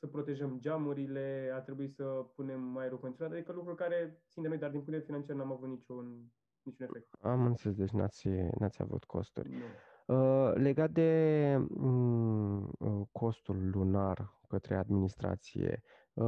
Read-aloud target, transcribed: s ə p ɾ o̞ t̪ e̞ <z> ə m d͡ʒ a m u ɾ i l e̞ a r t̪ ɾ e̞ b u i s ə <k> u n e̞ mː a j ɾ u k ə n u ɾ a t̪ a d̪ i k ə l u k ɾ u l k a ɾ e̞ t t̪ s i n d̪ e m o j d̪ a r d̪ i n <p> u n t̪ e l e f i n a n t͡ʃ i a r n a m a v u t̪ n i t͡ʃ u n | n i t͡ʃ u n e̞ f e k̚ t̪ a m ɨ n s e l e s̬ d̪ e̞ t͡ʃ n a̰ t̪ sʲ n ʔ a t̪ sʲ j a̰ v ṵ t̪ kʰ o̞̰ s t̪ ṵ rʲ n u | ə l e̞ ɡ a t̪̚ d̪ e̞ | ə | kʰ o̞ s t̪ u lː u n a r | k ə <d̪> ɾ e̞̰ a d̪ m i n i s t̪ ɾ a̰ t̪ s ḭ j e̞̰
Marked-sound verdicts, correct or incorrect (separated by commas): incorrect, incorrect, correct, incorrect